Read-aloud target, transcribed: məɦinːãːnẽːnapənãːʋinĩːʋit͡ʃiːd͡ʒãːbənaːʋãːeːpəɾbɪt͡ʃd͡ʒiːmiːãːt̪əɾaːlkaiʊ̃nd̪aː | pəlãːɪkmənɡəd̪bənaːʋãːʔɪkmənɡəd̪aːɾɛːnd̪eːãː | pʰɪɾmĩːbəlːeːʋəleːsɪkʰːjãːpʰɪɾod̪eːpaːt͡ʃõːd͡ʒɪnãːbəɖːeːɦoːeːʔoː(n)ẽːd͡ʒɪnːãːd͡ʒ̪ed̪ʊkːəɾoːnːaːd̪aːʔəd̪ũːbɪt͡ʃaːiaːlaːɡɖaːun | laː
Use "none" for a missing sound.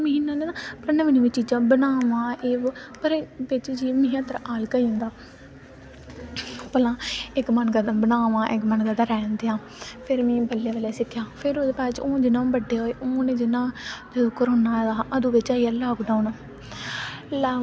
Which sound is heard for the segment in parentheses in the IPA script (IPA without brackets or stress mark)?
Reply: n